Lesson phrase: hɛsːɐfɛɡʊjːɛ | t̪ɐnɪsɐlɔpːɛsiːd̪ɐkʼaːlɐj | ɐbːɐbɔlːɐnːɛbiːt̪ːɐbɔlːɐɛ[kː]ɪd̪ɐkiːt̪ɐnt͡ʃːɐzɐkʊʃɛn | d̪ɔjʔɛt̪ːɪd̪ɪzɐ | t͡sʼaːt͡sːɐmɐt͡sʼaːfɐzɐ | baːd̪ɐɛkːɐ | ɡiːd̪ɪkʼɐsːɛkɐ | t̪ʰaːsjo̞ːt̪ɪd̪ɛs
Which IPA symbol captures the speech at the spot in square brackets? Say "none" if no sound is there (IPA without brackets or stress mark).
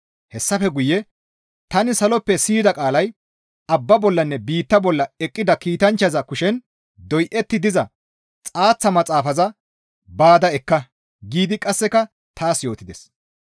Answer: kʼː